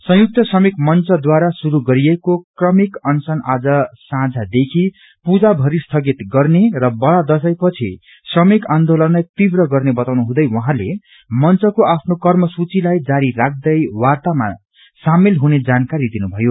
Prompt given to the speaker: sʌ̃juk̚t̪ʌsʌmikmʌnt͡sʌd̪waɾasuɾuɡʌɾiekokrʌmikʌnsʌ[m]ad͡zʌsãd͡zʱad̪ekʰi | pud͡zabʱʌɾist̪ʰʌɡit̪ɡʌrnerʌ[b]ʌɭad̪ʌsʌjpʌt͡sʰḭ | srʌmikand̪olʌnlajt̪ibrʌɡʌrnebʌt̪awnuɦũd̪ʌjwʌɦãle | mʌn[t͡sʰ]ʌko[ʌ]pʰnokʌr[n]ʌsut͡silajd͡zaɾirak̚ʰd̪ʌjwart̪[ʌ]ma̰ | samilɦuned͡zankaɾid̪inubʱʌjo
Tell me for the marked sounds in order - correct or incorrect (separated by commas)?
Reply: incorrect, correct, incorrect, incorrect, incorrect, incorrect